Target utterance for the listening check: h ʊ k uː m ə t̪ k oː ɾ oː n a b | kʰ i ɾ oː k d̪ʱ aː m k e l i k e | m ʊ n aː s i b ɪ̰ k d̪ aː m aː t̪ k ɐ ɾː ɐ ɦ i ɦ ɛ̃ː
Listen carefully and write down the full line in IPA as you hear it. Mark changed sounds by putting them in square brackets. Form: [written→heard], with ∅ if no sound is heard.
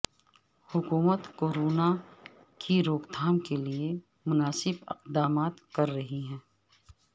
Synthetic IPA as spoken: h ʊ k uː m ə t̪ k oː ɾ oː n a [b→∅] | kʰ i ɾ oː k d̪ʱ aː m k e l i [k→∅] e | m ʊ n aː s [i→ɪ] b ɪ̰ [k→q] d̪ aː m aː t̪ k ɐ ɾː ɐ ɦ i ɦ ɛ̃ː